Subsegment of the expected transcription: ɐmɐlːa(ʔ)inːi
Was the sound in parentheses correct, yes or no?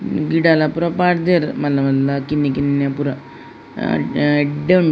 no